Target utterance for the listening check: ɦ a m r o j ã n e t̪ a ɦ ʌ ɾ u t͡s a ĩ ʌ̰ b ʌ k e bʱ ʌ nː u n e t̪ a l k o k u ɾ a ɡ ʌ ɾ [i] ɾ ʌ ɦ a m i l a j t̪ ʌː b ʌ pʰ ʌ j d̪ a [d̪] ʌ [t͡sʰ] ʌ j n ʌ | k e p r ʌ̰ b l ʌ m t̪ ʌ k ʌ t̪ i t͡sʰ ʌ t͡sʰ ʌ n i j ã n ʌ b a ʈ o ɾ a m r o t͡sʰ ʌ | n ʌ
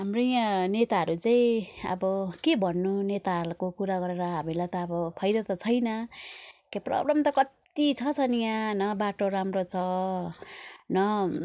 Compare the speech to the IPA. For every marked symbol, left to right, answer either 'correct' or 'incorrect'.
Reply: incorrect: e, incorrect: t̪, correct

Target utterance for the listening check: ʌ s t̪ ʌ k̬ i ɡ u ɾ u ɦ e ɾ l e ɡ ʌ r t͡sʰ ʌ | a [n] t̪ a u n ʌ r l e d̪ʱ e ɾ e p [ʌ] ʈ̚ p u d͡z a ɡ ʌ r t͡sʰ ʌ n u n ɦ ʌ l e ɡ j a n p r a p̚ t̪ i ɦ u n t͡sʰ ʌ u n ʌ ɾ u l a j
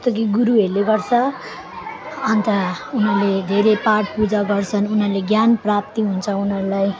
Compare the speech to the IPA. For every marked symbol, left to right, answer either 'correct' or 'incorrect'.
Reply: correct, incorrect: a

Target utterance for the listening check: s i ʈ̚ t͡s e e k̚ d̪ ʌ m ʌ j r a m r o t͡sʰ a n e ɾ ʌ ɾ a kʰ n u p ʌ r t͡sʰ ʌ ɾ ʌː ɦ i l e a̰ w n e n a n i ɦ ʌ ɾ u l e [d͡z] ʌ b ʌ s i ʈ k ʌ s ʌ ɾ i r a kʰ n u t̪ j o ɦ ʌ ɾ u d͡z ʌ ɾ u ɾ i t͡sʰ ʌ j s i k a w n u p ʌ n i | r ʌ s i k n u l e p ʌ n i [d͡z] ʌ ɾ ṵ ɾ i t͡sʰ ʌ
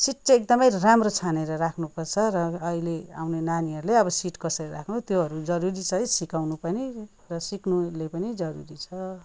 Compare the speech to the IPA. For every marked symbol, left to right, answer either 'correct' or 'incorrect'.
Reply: incorrect: none, correct

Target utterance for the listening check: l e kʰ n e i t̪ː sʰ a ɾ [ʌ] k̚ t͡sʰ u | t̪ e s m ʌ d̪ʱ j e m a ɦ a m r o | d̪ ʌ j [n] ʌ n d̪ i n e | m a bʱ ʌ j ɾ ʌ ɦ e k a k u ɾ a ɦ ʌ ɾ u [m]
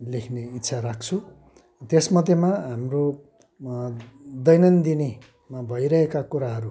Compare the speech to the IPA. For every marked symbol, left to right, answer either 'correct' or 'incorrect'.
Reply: incorrect: a, correct, incorrect: none

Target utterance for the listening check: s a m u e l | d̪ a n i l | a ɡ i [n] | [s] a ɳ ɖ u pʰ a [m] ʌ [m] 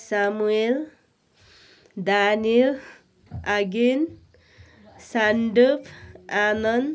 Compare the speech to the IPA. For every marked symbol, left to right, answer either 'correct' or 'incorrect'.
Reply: correct, correct, incorrect: n, incorrect: n

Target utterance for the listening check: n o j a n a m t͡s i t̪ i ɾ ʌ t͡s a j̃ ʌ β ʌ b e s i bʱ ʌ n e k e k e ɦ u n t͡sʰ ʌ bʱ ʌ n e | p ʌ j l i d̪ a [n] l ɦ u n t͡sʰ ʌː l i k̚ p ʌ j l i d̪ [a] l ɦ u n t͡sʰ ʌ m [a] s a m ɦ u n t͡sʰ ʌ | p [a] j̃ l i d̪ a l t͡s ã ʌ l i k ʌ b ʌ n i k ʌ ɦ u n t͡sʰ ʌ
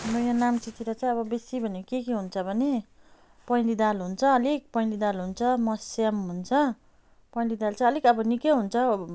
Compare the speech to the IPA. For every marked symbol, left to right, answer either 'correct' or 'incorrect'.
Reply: incorrect: none, correct, incorrect: ʌ, incorrect: ʌ

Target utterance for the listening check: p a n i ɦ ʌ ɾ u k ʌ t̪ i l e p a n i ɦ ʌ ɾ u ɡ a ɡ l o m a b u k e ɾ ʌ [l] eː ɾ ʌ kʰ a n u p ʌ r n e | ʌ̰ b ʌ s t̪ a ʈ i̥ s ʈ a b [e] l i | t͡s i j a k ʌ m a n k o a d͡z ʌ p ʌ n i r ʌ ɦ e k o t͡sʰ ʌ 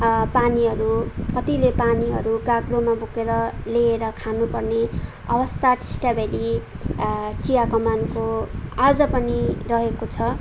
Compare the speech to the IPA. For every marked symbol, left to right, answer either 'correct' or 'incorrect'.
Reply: correct, correct

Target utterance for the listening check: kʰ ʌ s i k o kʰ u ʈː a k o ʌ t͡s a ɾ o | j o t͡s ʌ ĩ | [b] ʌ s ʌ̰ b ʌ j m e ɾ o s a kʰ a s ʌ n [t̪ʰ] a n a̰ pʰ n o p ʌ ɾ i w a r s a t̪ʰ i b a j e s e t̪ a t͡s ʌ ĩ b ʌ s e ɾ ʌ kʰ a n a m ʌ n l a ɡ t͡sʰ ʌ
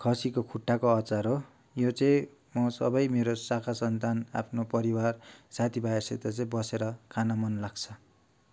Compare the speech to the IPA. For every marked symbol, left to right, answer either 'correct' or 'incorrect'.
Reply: incorrect: m, incorrect: t̪

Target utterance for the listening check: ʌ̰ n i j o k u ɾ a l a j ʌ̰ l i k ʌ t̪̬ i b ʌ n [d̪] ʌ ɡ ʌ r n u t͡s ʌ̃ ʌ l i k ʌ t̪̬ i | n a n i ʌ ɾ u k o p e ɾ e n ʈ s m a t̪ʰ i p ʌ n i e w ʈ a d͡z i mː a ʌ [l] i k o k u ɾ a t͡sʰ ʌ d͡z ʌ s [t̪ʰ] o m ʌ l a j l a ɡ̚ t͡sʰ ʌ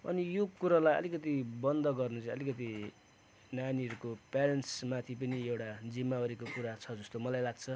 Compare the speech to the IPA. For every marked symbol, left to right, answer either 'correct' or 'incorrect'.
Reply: correct, incorrect: ɾ, incorrect: t̪

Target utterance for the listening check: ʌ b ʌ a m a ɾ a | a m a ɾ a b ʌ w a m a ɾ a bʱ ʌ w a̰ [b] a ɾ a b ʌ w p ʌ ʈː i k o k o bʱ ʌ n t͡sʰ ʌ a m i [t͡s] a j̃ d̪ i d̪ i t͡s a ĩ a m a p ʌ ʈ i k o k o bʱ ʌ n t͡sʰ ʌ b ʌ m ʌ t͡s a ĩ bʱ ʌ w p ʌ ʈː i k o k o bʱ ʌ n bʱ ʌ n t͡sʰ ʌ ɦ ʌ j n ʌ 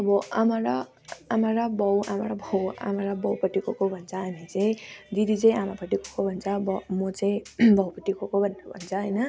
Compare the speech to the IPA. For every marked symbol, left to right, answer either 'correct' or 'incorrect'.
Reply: incorrect: m, correct

